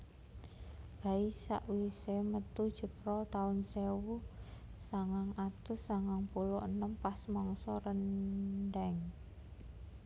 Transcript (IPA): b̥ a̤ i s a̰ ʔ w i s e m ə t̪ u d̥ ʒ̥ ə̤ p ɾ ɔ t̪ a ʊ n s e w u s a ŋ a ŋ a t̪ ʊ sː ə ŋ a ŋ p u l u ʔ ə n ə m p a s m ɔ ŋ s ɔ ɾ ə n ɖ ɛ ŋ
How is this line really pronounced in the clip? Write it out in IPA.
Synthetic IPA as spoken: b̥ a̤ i s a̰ ʔ w i s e m ə t̪ u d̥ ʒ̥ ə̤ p ɾ ɔ t̪ a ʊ n s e w u s a ŋ a ŋ a t̪ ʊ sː a ŋ a ŋ p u l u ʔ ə n ə m p a s m ɔ ŋ s ɔ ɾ ə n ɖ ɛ ŋ